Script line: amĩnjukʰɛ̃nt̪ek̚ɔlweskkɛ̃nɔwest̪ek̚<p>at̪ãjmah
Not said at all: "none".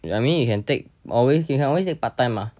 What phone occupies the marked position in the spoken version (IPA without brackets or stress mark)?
p